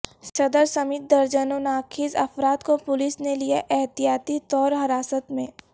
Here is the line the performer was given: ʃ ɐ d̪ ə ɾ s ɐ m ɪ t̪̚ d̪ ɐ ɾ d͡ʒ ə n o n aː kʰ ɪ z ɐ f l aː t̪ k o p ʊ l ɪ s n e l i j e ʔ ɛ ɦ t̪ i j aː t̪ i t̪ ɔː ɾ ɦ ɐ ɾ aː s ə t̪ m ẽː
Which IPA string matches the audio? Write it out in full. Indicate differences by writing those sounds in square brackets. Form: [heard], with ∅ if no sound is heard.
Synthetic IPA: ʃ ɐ d̪ ə ɾ s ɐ m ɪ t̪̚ d̪ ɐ ɾ d͡ʒ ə n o n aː kʰ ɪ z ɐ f [ɾ] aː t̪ k o p ʊ l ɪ s n e l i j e ʔ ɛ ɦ t̪ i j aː t̪ i t̪ ɔː ɾ ɦ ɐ ɾ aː s ə t̪ m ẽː